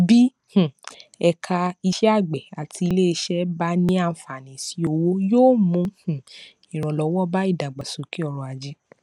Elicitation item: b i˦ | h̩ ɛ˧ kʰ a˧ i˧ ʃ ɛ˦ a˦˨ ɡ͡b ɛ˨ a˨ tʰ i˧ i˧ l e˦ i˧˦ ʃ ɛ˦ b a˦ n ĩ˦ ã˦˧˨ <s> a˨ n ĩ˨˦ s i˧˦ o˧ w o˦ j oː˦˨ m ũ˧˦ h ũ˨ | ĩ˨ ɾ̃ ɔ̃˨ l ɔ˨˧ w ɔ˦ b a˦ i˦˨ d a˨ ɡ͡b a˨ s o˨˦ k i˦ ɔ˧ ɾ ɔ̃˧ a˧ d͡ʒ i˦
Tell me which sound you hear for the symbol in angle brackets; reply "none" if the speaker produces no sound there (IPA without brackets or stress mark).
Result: f